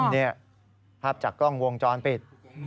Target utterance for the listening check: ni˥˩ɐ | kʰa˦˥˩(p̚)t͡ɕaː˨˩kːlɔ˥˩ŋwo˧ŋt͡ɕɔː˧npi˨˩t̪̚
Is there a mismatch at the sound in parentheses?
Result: no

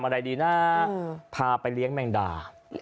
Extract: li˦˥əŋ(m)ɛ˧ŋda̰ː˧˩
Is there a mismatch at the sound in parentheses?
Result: no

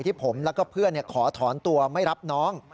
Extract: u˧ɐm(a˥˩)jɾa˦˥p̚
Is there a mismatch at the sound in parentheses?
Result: no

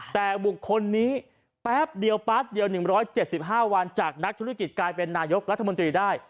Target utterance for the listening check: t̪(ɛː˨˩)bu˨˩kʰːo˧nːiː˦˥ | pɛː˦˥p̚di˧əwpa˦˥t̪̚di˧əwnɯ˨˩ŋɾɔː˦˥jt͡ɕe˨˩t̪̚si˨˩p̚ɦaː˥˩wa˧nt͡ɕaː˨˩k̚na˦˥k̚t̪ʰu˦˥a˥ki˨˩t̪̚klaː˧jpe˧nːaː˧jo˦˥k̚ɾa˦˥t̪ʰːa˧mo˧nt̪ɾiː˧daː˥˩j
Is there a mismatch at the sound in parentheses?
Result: no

